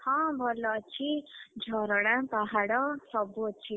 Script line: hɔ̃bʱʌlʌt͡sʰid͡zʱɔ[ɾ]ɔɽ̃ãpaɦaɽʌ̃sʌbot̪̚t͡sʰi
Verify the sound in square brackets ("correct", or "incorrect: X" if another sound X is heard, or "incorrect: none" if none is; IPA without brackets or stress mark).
correct